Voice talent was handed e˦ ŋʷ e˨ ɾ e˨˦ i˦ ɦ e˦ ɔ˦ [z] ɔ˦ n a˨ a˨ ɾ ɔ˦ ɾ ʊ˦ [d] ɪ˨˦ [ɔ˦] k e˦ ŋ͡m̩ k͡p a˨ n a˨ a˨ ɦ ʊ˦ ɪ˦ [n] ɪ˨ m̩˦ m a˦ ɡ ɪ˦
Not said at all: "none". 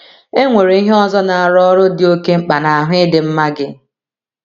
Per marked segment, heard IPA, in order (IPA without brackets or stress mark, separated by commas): z, d, o˦, d